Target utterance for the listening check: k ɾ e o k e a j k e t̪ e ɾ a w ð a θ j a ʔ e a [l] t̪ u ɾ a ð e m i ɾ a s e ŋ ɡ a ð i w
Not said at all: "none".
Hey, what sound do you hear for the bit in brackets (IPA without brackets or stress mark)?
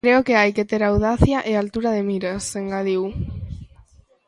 l